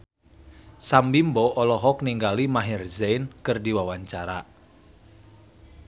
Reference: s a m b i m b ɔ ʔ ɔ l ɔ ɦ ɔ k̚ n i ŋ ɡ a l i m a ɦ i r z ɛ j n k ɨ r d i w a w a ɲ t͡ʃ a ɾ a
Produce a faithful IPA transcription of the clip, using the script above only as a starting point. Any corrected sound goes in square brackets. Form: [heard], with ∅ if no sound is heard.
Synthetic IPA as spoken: s a m b i m b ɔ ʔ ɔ l ɔ ɦ ɔ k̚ n i ŋ ɡ a l i m a ɦ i r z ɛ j n k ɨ r d i w a w a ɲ t͡ʃ a ɾ a